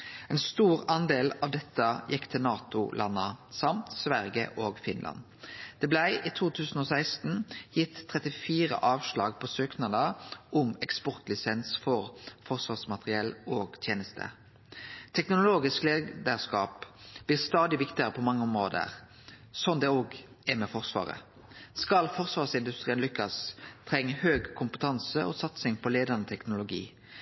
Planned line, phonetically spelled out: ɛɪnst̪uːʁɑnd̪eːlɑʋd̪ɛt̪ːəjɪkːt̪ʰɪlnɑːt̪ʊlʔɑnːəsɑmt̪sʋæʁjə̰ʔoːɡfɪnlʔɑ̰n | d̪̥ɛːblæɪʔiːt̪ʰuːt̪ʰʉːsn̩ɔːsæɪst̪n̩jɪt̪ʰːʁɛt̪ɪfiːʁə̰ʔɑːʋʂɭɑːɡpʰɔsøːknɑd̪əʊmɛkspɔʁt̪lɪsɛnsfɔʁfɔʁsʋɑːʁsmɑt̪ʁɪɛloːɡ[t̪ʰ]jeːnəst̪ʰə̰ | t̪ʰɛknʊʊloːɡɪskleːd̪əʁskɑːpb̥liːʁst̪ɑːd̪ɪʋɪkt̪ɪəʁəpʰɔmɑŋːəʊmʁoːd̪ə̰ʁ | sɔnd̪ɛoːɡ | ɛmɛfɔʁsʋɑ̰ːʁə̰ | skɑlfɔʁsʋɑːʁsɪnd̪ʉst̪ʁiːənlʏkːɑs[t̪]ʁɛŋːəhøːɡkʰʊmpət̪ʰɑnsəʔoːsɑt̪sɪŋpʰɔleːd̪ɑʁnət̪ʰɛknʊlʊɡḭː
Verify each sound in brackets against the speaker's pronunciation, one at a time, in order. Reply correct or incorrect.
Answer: correct, incorrect: t̪ʰ

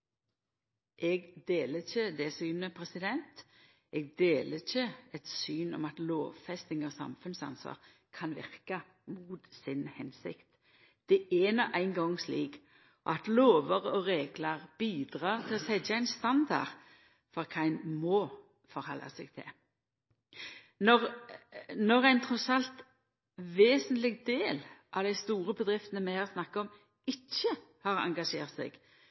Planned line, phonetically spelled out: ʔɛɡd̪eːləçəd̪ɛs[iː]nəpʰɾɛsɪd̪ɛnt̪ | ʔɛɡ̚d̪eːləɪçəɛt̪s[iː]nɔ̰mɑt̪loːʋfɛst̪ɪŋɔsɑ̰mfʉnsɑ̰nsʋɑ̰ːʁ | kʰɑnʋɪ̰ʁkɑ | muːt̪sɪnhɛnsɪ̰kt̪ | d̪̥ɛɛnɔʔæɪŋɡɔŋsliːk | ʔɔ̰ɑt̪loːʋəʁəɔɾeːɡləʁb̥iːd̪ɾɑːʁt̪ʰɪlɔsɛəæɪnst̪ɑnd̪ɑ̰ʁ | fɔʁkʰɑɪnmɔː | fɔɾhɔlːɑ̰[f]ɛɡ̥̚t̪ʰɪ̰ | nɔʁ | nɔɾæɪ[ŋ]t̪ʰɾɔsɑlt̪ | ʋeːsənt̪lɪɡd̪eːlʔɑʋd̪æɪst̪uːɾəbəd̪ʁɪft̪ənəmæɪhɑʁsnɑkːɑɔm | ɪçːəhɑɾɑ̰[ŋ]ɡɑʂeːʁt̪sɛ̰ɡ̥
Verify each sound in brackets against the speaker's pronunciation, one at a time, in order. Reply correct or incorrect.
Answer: incorrect: yː, incorrect: yː, incorrect: s, incorrect: n, correct

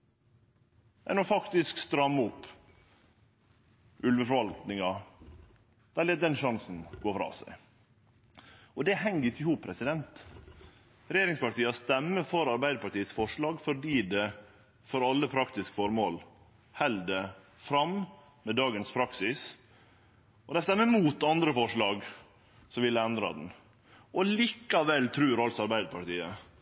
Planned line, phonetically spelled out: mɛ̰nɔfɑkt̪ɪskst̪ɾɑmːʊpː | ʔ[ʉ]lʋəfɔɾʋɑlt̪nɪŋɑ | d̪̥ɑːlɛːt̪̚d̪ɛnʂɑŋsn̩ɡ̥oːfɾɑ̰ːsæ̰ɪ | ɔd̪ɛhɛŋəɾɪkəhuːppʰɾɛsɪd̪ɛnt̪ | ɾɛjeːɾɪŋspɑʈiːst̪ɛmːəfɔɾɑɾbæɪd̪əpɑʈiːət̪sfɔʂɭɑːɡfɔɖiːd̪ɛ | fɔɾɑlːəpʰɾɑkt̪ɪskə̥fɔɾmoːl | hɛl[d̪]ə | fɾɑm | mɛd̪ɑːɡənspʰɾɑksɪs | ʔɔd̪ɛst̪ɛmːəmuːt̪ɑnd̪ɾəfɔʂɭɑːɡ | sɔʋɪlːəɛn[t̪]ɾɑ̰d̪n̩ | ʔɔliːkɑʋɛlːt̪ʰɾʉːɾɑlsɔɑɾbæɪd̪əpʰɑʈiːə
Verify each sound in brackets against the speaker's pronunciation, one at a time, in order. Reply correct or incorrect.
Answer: correct, correct, incorrect: d̪

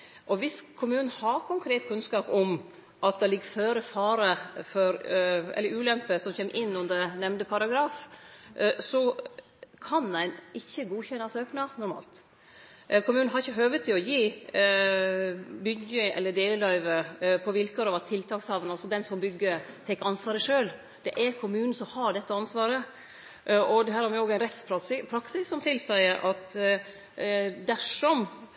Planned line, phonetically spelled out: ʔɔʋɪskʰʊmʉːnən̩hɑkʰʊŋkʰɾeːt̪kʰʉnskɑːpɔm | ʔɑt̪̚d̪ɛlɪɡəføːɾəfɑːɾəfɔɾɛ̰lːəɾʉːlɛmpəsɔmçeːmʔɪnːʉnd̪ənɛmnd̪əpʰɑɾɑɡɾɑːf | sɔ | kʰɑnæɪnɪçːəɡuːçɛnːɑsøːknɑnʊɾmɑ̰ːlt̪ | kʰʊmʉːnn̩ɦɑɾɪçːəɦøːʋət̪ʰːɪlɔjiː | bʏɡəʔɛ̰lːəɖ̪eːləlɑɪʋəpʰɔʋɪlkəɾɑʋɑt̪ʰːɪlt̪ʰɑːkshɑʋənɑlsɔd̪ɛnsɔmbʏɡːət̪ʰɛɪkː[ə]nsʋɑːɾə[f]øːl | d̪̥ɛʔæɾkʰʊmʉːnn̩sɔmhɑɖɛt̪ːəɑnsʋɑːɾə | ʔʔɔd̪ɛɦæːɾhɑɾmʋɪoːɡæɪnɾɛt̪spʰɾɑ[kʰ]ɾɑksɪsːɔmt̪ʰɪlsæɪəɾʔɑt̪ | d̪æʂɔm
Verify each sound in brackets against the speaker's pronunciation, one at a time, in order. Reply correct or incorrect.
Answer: incorrect: ɑ, incorrect: ʂ, incorrect: pʰ

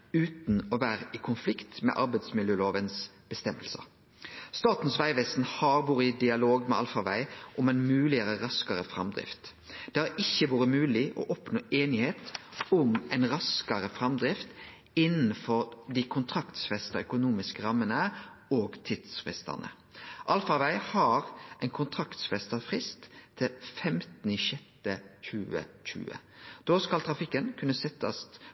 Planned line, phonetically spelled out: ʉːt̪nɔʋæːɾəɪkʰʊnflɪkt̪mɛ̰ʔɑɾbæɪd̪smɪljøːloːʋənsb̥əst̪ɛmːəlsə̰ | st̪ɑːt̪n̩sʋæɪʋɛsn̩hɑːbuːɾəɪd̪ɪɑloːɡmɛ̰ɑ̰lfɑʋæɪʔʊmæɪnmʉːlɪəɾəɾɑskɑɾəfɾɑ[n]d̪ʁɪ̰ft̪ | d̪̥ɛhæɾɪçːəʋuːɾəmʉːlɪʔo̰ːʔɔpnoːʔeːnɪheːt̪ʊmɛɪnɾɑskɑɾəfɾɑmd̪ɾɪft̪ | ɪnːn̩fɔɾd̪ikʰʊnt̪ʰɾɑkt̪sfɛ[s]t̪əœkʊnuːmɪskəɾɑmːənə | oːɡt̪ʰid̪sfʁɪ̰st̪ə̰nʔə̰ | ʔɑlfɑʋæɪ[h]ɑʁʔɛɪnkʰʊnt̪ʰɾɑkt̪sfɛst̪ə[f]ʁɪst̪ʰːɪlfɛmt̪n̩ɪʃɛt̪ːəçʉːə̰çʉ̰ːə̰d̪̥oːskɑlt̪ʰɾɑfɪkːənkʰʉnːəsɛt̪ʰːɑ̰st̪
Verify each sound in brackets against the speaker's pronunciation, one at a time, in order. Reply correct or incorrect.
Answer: incorrect: m, correct, correct, correct

